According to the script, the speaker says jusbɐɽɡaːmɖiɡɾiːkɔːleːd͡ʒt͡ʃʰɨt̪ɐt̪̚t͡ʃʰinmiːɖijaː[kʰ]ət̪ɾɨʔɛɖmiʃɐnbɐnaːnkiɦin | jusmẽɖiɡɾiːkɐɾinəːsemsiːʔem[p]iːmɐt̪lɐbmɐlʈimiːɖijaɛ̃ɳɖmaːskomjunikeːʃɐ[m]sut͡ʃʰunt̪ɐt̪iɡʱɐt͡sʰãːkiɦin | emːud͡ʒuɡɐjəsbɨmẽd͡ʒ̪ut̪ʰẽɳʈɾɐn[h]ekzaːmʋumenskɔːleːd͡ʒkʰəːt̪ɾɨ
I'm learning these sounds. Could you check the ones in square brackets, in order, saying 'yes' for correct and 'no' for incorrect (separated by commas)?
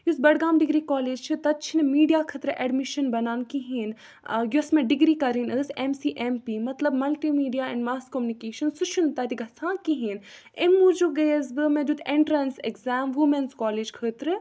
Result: yes, yes, no, no